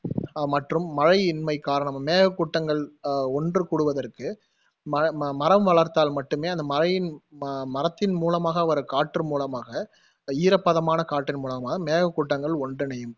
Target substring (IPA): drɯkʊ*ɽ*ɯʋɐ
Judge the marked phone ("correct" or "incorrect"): correct